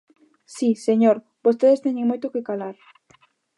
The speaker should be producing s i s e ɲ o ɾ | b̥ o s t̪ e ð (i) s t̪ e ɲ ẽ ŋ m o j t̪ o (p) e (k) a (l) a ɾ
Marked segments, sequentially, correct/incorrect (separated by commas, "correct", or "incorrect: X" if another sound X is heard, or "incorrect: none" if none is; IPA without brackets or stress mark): incorrect: e, incorrect: k, correct, correct